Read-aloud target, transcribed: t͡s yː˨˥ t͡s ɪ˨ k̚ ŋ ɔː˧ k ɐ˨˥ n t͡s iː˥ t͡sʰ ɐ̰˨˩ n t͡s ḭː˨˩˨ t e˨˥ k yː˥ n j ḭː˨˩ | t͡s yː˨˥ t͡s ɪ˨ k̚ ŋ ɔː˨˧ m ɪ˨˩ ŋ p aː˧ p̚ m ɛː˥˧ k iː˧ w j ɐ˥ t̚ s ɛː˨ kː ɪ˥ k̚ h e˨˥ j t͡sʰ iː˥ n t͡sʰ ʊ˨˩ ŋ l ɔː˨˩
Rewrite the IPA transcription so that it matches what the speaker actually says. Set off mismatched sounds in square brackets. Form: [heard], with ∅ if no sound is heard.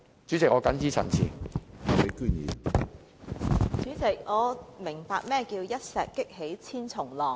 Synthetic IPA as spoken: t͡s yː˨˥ t͡s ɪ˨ k̚ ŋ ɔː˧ k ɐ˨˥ n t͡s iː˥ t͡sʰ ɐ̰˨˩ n [t͡sʰ] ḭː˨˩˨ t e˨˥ k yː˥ n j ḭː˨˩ | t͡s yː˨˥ t͡s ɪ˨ k̚ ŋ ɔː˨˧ m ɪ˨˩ ŋ p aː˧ [k̚] m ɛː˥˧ k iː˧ w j ɐ˥ t̚ s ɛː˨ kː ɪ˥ k̚ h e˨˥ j t͡sʰ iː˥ n t͡sʰ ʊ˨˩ ŋ l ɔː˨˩